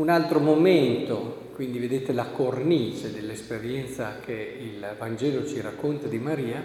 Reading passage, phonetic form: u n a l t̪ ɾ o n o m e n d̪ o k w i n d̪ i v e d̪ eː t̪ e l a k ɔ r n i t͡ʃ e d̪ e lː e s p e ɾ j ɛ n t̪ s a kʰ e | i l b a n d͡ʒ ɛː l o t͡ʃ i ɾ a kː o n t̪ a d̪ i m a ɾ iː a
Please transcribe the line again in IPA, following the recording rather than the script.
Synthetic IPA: u n a l t̪ ɾ o m o m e n t̪ o k w i n d̪ i v e d̪ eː t̪ e l a k o r n i t͡ʃ e d̪ e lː e s p e ɾ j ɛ n t̪ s a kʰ e | i l v a n d͡ʒ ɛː l o t͡ʃ i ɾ a kː o n t̪ a d̪ i m a ɾ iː a